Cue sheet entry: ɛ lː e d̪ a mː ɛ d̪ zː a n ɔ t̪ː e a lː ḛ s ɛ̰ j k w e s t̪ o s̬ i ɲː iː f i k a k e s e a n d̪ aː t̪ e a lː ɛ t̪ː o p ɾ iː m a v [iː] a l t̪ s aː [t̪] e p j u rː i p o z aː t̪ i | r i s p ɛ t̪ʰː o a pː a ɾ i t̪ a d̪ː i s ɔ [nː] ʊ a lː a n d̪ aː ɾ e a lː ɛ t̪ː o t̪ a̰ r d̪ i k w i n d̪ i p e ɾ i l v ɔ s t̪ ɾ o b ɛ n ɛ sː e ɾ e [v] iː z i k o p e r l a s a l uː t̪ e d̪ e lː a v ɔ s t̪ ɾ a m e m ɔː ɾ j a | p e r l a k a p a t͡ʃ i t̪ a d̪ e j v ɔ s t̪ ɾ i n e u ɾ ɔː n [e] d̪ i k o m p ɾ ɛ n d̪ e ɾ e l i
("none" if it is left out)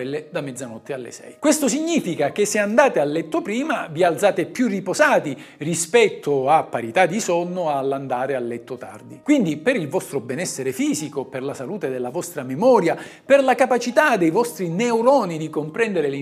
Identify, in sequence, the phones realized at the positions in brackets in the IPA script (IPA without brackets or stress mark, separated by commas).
i, t̪, nː, f, i